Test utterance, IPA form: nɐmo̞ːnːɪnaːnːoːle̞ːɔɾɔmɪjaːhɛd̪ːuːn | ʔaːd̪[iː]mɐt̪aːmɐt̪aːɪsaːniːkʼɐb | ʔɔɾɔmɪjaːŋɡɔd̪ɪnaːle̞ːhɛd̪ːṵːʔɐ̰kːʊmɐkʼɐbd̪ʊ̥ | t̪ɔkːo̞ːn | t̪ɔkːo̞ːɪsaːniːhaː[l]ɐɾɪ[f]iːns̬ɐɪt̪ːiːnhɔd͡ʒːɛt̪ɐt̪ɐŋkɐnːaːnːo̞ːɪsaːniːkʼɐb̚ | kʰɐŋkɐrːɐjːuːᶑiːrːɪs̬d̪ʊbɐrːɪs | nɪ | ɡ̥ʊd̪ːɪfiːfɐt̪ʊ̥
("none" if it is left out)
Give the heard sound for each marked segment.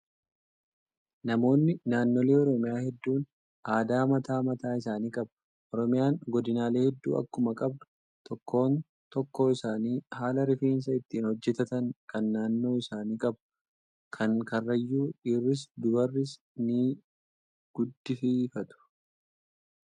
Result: aː, l, f

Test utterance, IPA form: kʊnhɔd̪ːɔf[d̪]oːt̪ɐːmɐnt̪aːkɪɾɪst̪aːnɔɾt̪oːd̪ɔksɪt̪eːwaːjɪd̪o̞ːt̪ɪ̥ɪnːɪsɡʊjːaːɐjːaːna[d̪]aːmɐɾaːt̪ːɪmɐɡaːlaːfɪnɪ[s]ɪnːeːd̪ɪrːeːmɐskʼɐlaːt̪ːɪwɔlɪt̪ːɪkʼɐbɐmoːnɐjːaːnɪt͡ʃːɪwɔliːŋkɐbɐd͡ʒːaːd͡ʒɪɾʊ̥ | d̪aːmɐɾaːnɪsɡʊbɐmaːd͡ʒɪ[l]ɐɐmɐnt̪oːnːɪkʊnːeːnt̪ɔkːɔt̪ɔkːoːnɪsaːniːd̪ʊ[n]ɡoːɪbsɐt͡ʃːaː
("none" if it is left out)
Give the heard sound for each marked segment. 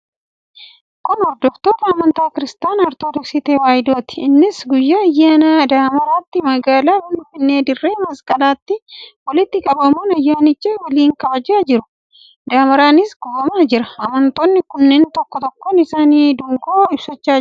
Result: t̪, d̪, f, ɾ, ŋ

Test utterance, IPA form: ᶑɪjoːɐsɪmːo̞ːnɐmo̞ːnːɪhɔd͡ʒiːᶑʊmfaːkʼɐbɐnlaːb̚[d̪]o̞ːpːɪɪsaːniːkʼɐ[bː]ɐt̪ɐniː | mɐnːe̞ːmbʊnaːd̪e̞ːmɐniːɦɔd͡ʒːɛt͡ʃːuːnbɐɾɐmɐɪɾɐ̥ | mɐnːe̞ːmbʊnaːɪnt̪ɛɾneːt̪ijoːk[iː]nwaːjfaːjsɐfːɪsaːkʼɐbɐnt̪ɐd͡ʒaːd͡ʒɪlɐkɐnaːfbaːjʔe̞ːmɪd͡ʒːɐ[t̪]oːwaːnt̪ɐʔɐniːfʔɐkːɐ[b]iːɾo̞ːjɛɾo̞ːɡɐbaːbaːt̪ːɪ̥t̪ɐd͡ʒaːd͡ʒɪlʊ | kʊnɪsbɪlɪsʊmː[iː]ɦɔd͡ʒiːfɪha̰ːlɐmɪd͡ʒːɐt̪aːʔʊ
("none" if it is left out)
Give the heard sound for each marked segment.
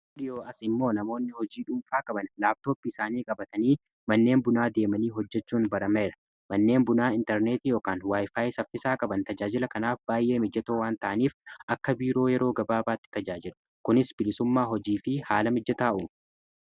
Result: t̪, b, aː, t̪, b, aː

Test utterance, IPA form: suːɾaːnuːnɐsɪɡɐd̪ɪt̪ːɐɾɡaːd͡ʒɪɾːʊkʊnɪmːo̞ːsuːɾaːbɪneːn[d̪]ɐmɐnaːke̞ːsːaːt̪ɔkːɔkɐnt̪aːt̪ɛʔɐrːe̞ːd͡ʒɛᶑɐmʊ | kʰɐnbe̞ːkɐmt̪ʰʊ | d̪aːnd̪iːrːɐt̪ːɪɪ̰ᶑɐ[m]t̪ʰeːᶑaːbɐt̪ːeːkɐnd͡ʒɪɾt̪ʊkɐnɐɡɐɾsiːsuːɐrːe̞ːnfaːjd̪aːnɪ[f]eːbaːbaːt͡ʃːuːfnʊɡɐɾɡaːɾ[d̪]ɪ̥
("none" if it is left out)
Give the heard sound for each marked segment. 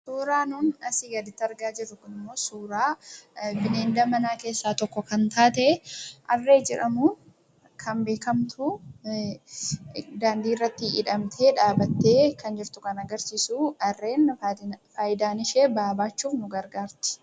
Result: d̪, m, ʃ, t̪

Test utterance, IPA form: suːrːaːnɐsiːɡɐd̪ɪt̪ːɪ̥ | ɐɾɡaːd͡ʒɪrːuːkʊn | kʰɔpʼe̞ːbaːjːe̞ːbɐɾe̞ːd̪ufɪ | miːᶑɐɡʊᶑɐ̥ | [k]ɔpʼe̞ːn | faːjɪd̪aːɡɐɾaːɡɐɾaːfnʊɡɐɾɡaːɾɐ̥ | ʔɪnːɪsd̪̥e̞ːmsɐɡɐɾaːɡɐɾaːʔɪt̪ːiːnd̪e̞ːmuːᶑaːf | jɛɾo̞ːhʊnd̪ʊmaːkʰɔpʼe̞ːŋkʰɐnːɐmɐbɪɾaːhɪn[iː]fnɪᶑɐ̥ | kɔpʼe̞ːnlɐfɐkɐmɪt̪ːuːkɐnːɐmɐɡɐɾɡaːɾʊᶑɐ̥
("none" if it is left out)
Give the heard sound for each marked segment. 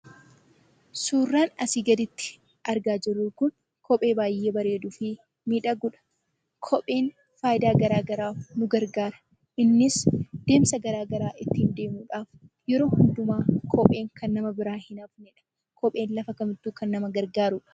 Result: kʰ, aː

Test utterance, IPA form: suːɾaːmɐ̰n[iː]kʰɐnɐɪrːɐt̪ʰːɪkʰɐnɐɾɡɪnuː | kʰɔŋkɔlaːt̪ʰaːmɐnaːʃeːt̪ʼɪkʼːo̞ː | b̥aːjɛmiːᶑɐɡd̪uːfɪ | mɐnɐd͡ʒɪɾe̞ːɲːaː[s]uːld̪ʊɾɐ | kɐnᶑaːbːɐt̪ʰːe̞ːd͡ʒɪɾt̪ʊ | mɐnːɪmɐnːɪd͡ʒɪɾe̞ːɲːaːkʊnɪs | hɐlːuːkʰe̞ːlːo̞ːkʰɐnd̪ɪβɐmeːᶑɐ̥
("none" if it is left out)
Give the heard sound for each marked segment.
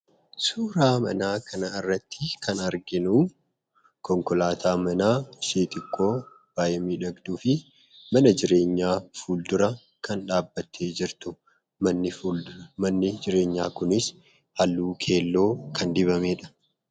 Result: aː, f

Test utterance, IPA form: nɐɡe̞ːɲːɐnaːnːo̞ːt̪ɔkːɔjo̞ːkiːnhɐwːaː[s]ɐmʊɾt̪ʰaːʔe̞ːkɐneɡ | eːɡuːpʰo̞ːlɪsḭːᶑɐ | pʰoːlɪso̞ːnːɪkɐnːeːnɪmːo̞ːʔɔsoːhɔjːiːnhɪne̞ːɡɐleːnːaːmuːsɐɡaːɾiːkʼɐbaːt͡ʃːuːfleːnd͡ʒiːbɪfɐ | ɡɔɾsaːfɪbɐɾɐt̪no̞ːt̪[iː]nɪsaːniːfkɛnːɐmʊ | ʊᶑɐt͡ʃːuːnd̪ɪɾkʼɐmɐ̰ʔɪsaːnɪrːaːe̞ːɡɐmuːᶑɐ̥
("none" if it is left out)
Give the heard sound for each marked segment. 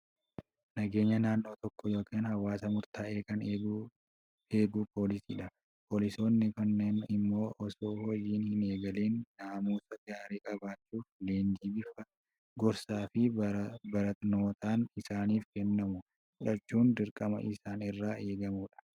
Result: s, aː

